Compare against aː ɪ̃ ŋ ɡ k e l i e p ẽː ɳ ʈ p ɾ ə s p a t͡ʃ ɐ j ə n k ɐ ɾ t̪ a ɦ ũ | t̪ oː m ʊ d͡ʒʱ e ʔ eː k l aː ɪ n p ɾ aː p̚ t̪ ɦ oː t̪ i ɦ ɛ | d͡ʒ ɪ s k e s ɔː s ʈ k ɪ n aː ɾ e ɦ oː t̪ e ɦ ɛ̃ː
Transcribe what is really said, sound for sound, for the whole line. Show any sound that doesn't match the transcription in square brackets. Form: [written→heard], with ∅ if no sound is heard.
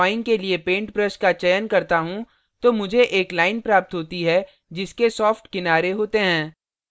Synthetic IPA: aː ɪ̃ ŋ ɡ k e l i e p ẽː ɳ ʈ p ɾ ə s [p→k] a t͡ʃ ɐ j ə n k ɐ ɾ t̪ a ɦ ũ | t̪ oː m ʊ d͡ʒʱ e ʔ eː k l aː ɪ n p ɾ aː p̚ t̪ ɦ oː t̪ i ɦ ɛ | d͡ʒ ɪ s k e s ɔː [s→f] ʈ k ɪ n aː ɾ e ɦ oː t̪ e ɦ ɛ̃ː